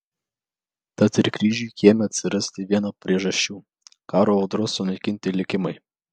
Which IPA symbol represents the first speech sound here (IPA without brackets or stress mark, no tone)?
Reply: t̪